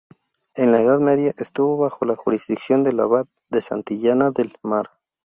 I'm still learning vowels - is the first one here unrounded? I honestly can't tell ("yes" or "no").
yes